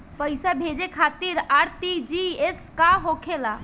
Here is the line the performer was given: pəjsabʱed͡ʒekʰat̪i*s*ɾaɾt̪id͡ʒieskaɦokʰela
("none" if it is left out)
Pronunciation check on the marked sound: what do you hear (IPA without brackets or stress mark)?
none